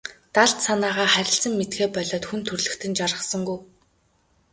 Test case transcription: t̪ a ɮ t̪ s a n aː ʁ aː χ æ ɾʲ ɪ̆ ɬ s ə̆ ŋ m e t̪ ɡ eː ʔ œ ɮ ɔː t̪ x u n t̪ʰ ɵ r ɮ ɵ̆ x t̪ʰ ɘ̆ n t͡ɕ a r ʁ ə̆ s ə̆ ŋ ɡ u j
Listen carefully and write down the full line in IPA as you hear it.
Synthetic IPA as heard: t̪ a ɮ t̪ s a n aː ʁ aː χ æ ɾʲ ɪ̆ ɬ s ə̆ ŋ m e t̪ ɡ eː p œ ɮ ɔː t̪ x u n t̪ʰ ɵ r ɮ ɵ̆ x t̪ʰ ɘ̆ n t͡ɕ a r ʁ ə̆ s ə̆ ŋ ɡ u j

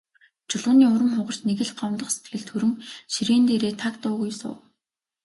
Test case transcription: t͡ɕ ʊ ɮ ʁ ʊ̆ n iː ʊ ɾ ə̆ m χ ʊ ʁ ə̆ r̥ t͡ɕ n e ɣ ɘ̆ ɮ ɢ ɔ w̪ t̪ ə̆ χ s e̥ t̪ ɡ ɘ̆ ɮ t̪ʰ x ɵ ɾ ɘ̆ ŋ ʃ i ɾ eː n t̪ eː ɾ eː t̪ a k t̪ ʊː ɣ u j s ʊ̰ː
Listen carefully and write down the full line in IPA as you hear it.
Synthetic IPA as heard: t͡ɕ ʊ ɮ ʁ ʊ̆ n iː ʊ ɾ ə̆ m χ ʊ ʁ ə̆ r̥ t͡ɕ n e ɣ ɘ̆ ɮ ɢ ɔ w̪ t̪ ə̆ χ s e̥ t̪ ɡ ɘ̆ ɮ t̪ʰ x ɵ ɾ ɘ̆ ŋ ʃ i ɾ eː n t̪ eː ɾ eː t̪ʰ a k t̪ ʊː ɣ u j s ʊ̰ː

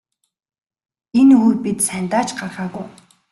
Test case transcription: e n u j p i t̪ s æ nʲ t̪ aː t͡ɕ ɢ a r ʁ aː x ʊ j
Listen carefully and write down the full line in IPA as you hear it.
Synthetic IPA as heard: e n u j p i t̪ s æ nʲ t̪ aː t͡ɕ ɢ a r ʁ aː ɣ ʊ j

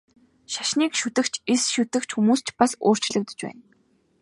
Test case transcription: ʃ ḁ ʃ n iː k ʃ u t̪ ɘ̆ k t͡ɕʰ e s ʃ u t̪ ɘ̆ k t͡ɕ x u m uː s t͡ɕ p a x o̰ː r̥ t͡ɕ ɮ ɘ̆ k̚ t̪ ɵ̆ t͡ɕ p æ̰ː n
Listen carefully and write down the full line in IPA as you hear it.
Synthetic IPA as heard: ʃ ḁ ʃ n iː k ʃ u t̪ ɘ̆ k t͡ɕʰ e s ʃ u t̪ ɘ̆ k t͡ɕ x u m uː s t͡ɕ p a s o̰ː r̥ t͡ɕ ɮ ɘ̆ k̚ t̪ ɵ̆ t͡ɕ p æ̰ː n

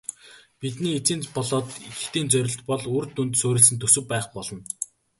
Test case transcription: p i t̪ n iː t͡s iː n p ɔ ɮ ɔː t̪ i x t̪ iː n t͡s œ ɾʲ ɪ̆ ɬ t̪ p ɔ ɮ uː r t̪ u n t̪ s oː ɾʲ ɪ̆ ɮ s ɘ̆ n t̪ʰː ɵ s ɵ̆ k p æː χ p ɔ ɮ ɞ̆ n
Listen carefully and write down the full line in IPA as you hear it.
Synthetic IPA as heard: p i t̪ n iː t͡s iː n p ɔ ɮ ɔː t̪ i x t̪ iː n t͡s œ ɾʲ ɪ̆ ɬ t̪ p ɔ ɮ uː r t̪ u n t̪ s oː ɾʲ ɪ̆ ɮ s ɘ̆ n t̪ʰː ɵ s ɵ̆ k p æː χ p ɔ ɮ ɞ̆ n

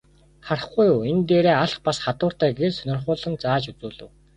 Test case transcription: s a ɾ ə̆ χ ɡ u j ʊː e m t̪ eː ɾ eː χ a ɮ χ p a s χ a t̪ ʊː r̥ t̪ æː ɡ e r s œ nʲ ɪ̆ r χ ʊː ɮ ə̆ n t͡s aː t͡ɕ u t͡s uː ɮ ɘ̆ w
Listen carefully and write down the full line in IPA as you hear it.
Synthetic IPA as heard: χ a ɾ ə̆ χ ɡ u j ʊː e n t̪ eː ɾ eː a ɮ χ p a s χ a t̪ ʊː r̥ t̪ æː ɡ e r s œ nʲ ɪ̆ r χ ʊː ɮ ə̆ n t͡s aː t͡ɕ u t͡s uː ɮ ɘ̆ w

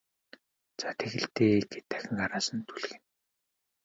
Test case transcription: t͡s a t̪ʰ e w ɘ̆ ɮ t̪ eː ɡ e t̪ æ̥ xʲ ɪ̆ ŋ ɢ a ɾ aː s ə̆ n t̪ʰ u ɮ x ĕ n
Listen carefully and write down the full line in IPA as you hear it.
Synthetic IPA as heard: t͡s a t̪ʰ e ɣ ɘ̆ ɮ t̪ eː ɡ e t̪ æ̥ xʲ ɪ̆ ŋ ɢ a ɾ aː s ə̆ n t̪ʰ u ɮ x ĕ n

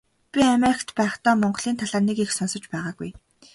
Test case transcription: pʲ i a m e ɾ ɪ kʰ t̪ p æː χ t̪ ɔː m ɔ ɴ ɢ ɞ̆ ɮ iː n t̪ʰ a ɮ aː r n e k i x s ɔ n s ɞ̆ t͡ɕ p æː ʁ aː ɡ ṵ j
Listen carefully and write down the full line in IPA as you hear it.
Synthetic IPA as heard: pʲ i a m e ɾ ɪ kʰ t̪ p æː χ t̪ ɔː m ɔ ɴ ɢ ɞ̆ ɮ iː n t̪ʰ a ɮ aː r n e k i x s ɔ n s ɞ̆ t͡ɕ p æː ʁ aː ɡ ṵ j

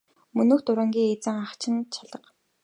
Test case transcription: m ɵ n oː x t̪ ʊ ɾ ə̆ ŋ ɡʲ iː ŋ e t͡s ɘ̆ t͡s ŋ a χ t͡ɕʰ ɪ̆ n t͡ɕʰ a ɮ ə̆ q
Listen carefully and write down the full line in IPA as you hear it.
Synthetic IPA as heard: m ɵ n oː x t̪ ʊ ɾ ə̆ ŋ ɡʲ iː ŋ e t͡s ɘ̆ ŋ a χ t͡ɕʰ ɪ̆ n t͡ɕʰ a ɮ ə̆ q

